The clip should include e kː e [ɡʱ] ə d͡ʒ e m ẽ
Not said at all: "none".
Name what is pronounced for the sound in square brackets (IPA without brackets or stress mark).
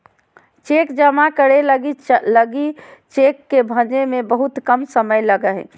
bʱ